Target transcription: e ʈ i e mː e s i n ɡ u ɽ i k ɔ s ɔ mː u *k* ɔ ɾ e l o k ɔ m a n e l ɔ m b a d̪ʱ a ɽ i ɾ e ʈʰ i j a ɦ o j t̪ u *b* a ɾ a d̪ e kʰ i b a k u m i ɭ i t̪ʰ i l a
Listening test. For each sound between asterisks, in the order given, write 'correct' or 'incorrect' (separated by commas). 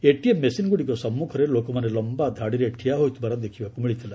incorrect, correct